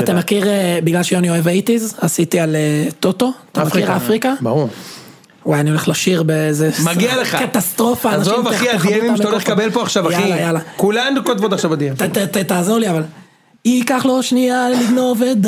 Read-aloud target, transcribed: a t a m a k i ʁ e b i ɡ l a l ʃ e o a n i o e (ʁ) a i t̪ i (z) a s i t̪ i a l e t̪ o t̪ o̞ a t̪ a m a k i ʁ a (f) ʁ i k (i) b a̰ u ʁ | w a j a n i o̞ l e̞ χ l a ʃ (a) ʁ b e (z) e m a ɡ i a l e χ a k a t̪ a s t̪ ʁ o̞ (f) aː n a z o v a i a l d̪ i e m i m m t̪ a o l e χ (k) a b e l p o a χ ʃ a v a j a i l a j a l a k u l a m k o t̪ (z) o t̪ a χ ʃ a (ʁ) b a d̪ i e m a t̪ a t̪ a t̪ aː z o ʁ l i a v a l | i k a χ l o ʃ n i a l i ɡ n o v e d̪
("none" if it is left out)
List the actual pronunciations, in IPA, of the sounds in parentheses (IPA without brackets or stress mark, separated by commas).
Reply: v, z, f, a, i, z, f, k, v, v